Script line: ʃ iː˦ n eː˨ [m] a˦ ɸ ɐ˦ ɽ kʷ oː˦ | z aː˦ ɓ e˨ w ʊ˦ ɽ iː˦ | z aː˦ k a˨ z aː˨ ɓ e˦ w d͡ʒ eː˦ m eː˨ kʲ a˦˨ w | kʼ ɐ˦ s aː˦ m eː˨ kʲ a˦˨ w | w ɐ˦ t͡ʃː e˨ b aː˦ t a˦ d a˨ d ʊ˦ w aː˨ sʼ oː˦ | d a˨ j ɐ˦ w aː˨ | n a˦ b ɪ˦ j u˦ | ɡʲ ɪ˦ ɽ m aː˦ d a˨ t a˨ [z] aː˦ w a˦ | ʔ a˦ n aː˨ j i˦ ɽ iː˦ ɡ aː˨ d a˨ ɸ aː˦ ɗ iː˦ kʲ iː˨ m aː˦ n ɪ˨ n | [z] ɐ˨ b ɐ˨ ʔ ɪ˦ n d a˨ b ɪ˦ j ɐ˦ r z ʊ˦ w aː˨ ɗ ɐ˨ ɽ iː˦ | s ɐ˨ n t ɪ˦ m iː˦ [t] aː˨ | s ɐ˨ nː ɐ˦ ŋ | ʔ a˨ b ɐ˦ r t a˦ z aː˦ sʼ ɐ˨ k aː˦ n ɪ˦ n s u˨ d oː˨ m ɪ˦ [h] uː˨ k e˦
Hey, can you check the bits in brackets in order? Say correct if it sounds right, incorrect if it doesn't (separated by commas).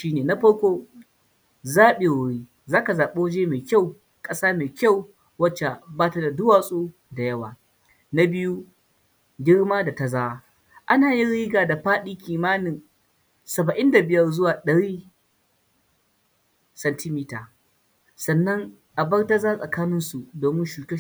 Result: incorrect, correct, incorrect, correct, incorrect